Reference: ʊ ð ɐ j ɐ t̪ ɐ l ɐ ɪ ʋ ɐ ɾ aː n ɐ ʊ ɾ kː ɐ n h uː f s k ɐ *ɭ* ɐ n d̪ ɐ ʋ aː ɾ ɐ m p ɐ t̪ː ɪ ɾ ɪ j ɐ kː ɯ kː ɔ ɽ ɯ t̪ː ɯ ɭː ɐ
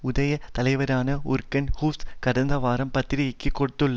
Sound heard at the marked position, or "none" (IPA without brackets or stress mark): ɽ